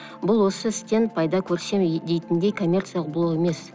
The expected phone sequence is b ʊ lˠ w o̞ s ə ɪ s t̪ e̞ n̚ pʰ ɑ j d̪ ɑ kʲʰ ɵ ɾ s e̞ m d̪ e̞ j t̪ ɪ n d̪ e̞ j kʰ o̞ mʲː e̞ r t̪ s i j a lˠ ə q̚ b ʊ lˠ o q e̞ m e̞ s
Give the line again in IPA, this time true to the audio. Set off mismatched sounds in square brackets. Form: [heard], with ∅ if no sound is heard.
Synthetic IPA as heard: b ʊ lˠ w o̞ s ə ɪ s t̪ e̞ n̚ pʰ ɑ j d̪ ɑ kʲʰ ɵ ɾ s e̞ m d̪ e̞ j t̪ ɪ n d̪ e̞ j kʰ o̞ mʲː e̞ r t̪ s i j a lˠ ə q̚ b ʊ lˠ o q e̞ m e̞ s